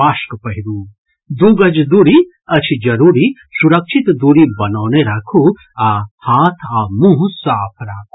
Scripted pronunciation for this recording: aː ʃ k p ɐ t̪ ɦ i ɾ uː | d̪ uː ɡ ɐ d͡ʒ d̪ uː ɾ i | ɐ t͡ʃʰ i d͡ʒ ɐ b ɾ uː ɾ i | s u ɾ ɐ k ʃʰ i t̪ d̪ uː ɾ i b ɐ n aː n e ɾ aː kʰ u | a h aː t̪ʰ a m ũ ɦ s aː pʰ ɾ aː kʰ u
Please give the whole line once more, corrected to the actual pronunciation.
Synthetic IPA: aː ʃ k p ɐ ɦ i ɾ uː | d̪ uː ɡ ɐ d͡ʒ d̪ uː ɾ i | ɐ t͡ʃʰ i d͡ʒ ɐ ɾ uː ɾ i | s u ɾ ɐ k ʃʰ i t̪ d̪ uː ɾ i b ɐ n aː n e ɾ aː kʰ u | a h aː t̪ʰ a m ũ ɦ s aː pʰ ɾ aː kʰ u